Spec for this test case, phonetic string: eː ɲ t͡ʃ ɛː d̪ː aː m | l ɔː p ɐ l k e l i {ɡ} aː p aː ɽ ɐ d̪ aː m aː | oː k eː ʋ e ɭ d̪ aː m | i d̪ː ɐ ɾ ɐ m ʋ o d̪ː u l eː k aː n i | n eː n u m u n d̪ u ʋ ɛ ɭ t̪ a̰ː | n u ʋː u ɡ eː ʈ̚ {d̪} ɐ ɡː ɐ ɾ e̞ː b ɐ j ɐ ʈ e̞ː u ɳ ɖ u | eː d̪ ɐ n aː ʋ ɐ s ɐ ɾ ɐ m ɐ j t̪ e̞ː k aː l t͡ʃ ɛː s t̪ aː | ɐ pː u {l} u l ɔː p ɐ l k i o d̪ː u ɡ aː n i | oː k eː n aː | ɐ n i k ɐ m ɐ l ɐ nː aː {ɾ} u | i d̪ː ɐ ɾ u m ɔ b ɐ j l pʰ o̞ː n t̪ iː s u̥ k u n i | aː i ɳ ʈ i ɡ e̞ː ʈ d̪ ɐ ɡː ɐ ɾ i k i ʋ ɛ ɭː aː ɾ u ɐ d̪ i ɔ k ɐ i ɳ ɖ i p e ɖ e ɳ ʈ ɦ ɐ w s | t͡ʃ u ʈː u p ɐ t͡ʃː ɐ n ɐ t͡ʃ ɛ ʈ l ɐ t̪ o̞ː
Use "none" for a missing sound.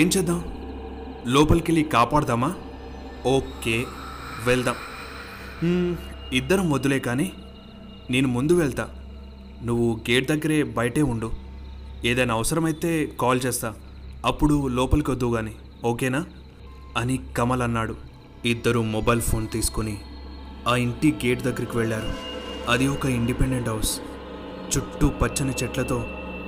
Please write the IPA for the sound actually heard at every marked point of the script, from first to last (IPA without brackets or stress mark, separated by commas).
k, d̪, ɽ, ɽ